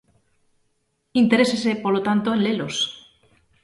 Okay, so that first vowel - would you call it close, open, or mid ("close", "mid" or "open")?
close